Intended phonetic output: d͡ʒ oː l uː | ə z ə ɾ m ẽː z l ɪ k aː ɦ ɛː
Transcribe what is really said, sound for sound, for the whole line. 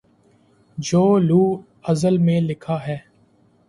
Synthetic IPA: d͡ʒ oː l uː | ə z ə l m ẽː l ɪ kʰ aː ɦ ɛː